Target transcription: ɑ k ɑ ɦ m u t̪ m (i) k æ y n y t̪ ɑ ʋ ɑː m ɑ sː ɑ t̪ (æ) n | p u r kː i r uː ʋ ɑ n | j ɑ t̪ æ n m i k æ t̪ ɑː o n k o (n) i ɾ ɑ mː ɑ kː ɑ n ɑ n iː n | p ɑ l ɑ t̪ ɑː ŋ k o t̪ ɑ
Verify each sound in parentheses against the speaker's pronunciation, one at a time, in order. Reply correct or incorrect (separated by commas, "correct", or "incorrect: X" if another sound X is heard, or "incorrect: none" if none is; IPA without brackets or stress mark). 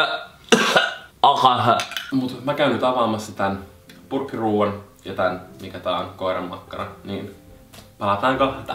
incorrect: æ, correct, incorrect: none